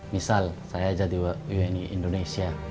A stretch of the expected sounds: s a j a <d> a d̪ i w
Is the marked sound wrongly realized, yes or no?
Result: yes